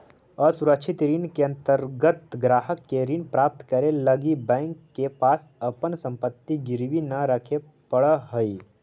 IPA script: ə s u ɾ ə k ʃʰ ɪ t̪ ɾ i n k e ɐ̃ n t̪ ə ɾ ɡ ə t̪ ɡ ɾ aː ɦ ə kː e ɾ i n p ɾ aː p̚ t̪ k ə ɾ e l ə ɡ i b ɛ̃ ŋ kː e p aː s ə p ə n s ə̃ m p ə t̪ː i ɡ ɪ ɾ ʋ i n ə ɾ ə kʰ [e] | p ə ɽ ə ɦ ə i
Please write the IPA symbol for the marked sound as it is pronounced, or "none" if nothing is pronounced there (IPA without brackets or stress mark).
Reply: e